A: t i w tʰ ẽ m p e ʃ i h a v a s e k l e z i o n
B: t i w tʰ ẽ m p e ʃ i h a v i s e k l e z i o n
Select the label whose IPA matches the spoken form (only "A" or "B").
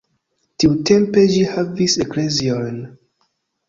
B